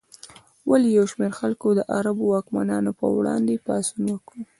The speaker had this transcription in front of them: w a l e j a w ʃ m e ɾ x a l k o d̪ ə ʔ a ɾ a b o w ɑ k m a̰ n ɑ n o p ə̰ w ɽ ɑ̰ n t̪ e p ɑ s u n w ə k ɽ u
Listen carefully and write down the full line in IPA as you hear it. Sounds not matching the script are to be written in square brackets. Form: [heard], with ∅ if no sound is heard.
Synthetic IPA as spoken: w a l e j a w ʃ m e ɾ x a l k o d̪ ə ʔ a ɾ a b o w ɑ k m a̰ n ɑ n o p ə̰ w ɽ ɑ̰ n [d̪] e p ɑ s u n w ə k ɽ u